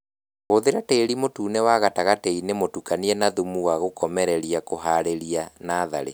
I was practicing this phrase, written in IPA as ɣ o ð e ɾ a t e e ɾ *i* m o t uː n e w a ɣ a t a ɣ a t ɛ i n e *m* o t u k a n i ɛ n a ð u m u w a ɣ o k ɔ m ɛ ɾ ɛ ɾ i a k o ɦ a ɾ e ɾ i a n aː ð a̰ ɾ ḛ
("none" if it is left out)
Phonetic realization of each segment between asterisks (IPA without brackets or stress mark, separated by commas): i, m